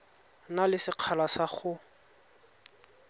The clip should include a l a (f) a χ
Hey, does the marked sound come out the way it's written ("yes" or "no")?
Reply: no